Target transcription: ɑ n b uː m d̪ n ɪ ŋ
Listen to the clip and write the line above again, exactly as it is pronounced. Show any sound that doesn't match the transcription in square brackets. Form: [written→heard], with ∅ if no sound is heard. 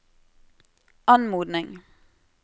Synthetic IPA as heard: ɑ n [b→m] uː [m→∅] d̪ n ɪ ŋ